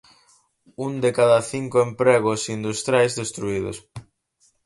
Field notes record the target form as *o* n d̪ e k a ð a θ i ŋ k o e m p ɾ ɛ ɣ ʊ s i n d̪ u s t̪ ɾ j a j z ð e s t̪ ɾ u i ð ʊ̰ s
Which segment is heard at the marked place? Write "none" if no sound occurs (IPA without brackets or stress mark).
u